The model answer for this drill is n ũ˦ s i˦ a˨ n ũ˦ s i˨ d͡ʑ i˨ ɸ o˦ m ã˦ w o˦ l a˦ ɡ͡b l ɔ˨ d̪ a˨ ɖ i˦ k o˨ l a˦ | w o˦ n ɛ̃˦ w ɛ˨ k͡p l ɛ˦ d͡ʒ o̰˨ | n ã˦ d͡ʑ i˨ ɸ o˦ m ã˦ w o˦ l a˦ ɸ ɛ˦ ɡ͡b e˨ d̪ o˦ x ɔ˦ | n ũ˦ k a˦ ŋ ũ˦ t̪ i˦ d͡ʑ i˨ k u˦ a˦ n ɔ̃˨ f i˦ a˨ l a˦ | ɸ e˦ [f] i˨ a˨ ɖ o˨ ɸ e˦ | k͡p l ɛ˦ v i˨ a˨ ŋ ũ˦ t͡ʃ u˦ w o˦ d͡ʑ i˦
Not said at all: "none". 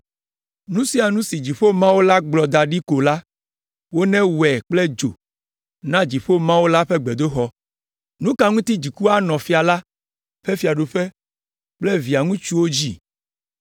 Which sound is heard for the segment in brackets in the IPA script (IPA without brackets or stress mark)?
f